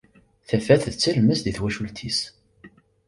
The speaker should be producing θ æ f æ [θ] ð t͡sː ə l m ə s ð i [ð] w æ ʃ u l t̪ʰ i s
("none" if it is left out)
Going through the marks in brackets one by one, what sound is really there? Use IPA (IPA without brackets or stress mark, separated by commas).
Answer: θ, θ